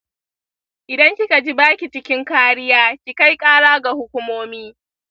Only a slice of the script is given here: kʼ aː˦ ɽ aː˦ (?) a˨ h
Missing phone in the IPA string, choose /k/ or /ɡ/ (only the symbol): ɡ